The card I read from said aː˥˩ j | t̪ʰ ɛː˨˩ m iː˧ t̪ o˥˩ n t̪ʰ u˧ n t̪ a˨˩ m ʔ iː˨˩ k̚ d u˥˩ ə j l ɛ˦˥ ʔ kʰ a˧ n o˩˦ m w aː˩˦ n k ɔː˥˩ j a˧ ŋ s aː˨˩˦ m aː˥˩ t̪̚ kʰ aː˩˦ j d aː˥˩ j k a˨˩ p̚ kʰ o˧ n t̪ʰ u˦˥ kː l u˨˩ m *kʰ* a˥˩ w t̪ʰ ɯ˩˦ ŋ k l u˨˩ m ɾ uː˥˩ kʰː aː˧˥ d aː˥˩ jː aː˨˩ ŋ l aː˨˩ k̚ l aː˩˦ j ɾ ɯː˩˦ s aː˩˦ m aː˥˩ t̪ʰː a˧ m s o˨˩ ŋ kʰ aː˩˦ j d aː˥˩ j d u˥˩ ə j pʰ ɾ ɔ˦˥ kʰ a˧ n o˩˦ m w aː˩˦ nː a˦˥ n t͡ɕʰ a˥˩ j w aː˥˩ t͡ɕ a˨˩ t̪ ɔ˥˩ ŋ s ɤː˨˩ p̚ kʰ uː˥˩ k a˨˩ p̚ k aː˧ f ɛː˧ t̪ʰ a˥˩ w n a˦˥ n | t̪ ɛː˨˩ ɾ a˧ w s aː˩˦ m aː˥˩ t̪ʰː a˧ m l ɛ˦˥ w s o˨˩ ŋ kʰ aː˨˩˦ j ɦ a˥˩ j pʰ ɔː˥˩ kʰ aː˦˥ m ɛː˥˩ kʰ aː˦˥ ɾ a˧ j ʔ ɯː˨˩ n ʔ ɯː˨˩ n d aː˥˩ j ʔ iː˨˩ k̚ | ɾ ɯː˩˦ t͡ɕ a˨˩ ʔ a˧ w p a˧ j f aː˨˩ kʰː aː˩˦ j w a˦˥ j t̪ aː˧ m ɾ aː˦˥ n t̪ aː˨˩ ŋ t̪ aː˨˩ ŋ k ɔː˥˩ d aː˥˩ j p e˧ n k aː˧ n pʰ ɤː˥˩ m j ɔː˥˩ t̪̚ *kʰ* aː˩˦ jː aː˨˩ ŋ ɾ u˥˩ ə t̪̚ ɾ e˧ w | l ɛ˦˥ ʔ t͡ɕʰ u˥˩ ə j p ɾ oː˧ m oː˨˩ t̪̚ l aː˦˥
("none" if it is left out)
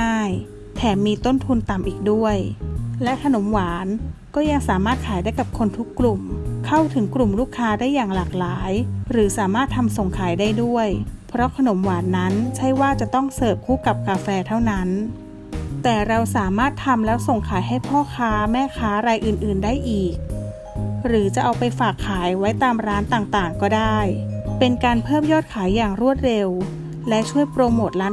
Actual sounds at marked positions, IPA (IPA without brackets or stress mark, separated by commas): kʰ, kʰ